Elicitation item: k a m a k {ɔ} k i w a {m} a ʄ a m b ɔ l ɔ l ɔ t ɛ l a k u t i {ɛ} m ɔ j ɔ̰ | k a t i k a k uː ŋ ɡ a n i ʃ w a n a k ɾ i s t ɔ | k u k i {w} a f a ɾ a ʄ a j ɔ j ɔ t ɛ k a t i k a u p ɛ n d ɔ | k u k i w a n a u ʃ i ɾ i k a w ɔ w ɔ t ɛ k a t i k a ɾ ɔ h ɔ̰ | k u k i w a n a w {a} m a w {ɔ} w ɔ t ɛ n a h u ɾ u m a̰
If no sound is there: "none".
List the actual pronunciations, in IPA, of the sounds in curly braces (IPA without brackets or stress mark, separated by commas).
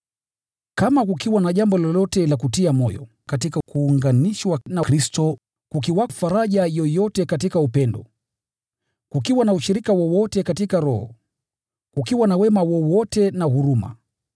u, n, a, w, ɛ, ɔ